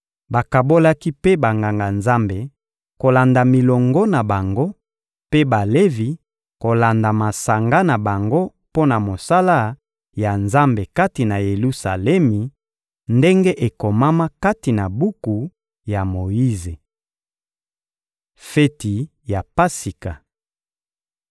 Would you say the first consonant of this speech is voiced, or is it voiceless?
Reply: voiced